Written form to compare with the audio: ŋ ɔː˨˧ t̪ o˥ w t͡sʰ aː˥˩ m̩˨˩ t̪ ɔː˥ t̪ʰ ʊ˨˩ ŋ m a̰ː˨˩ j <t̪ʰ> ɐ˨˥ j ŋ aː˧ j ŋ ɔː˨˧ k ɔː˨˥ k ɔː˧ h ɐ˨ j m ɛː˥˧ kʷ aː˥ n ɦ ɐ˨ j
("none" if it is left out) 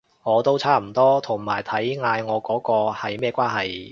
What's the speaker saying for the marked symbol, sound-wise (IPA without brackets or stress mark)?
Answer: t̪ʰ